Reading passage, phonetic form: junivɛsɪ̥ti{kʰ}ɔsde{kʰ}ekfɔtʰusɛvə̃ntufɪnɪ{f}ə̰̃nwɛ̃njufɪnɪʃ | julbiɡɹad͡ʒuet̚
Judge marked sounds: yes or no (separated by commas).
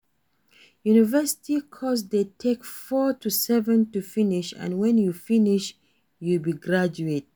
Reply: yes, no, no